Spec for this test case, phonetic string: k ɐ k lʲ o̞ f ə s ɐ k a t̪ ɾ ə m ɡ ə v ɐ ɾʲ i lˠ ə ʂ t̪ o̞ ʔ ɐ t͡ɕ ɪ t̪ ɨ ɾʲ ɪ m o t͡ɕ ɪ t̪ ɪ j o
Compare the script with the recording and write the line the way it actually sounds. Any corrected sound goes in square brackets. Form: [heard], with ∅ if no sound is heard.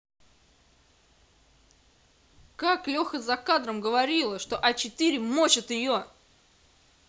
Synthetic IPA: k [a] k lʲ o̞ [x] ə [z] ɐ k a [d̪] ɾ ə m ɡ ə v ɐ ɾʲ i lˠ ə ʂ t̪ o̞ ʔ ɐ t͡ɕ ɪ t̪ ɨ ɾʲ ɪ m o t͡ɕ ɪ t̪ ɪ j o